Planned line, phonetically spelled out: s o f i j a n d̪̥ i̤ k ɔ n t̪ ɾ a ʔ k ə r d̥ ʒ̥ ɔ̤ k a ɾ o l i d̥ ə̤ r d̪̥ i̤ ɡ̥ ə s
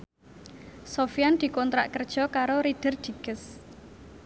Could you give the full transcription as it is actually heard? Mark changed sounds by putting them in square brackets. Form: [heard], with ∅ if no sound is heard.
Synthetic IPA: s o f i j a n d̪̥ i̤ k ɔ n t̪ ɾ a ʔ k ə r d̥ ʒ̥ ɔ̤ k a ɾ o [ɾ] i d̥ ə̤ r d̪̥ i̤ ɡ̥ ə s